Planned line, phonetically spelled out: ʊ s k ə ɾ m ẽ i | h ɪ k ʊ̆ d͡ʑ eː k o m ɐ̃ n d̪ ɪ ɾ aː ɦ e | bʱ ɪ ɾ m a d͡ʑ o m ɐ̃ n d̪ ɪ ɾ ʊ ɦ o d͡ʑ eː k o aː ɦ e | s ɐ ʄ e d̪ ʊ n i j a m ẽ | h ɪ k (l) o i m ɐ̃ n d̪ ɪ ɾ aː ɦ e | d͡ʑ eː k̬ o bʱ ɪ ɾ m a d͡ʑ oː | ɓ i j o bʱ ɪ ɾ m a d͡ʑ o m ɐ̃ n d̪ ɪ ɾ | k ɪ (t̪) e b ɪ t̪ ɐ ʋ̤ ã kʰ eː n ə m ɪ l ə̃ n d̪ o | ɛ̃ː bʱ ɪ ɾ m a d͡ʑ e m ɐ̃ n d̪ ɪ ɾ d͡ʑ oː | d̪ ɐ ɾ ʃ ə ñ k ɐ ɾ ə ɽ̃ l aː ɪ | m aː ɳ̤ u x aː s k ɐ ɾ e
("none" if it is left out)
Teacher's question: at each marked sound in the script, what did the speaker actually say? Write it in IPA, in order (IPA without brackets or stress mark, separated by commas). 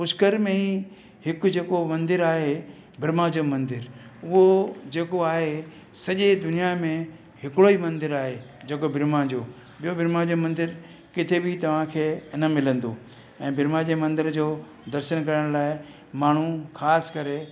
ɽ, t̪ʰ